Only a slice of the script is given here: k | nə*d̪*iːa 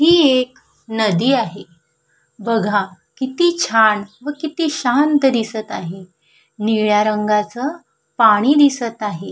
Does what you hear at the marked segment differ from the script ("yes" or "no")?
no